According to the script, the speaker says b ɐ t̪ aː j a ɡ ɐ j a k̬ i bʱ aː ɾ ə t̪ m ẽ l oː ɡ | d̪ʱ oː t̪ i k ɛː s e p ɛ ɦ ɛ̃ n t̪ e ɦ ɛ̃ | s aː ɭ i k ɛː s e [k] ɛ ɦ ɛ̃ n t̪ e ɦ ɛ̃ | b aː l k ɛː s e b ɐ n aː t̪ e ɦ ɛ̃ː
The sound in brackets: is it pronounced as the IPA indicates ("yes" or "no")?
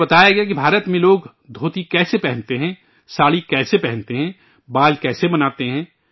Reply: no